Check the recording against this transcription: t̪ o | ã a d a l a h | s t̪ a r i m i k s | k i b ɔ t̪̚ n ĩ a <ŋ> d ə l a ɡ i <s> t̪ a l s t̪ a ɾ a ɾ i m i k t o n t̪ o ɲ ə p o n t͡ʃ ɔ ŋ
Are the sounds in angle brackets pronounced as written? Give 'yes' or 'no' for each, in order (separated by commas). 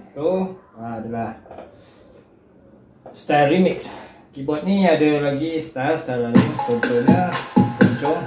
no, yes